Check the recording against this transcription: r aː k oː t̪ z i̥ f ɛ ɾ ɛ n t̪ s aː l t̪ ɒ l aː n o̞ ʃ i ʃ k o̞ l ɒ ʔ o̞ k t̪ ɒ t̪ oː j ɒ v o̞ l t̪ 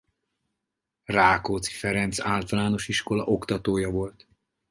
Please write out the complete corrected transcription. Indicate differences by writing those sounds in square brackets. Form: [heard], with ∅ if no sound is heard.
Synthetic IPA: r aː k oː t̪ [s] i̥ f ɛ ɾ ɛ n t̪ s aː l t̪ ɒ l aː n o̞ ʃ i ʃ k o̞ l ɒ ʔ o̞ k t̪ ɒ t̪ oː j ɒ v o̞ l t̪

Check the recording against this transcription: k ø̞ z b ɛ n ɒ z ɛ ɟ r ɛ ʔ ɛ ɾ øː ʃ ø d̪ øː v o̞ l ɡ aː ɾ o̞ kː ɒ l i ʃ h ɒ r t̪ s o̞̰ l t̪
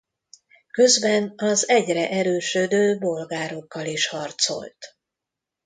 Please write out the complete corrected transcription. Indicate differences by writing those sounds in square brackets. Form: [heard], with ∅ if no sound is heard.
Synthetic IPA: k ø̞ z b ɛ n ɒ z ɛ ɟ r ɛ ʔ ɛ ɾ øː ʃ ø d̪ øː [b] o̞ l ɡ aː ɾ o̞ kː ɒ l i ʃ h ɒ r t̪ s o̞̰ l t̪

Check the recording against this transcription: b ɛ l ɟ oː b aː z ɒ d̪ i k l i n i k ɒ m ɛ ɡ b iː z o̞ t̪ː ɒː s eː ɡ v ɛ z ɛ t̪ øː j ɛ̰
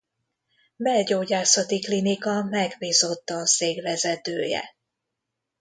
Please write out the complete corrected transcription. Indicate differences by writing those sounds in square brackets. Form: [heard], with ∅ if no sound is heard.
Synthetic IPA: b ɛ l ɟ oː [ɟ] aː [s] ɒ [t̪] i k l i n i k ɒ m ɛ ɡ b iː z o̞ t̪ː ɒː s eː ɡ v ɛ z ɛ t̪ øː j ɛ̰

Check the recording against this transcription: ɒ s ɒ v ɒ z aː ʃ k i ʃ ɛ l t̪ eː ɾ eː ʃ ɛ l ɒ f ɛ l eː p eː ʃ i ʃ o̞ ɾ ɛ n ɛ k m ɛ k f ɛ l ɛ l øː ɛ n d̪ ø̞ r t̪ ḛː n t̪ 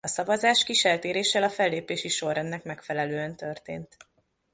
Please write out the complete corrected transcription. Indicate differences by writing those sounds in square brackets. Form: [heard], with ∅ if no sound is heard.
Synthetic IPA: ɒ s ɒ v ɒ z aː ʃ k i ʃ ɛ l t̪ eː ɾ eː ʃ ɛ l ɒ f ɛ [lː] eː p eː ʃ i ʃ o̞ ɾ ɛ [nː] ɛ k m ɛ k f ɛ l ɛ l øː ɛ n [t̪] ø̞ r t̪ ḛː n t̪

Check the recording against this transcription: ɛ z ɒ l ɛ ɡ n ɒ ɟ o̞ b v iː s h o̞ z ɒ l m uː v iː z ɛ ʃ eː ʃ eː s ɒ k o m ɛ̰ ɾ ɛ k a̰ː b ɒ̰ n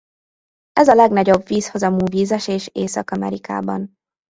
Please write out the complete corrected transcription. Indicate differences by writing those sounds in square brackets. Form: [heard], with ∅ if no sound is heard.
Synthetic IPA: ɛ z ɒ l ɛ ɡ n ɒ ɟ o̞ b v iː s h o̞ z ɒ [∅] m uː v iː z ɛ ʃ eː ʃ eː s ɒ k [ɒ] m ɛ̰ ɾ [i] k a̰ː b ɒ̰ n

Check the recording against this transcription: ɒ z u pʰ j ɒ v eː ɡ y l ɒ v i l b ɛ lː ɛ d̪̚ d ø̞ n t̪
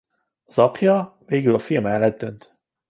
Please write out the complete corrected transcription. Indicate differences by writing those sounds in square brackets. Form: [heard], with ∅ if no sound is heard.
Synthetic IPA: ɒ z [ɒ] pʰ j ɒ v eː ɡ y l ɒ [f] i l [m] ɛ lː ɛ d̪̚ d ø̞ n t̪

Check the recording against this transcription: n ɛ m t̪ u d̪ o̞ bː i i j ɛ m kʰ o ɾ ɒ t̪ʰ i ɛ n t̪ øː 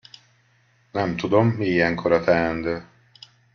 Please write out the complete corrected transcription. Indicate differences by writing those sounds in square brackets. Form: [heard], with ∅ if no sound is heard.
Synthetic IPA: n ɛ m t̪ u d̪ o̞ [mː] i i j ɛ [ŋ] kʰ o ɾ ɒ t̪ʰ [ɛ] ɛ n [d̪] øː

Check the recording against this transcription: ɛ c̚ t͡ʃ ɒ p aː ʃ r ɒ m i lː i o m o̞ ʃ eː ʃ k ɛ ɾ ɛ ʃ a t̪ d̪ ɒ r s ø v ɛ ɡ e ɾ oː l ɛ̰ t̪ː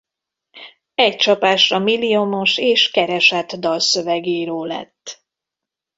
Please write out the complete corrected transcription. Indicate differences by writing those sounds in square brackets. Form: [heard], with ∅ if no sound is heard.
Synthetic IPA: ɛ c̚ t͡ʃ ɒ p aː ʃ r ɒ m i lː i o m o̞ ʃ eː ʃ k ɛ ɾ ɛ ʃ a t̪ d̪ ɒ [l] s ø v ɛ ɡ e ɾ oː l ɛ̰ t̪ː

